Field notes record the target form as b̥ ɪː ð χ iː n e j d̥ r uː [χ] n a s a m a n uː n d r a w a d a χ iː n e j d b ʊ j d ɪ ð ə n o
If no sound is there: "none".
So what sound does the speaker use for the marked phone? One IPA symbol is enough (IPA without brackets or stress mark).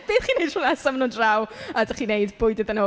none